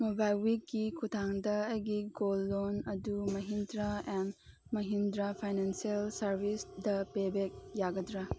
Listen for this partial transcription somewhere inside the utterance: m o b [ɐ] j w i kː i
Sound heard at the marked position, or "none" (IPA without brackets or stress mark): a